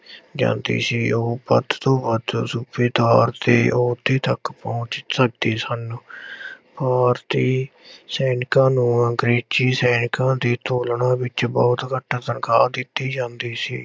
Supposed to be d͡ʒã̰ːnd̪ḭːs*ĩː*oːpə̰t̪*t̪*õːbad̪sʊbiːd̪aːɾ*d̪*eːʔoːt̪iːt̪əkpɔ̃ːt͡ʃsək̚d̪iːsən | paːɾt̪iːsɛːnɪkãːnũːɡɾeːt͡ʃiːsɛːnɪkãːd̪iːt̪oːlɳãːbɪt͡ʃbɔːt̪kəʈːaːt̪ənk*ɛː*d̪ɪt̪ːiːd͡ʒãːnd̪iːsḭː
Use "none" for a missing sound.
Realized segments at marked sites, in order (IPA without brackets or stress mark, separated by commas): iː, t̪, t̪, aː